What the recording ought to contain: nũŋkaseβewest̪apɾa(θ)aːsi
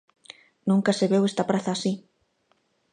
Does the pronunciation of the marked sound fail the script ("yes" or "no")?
no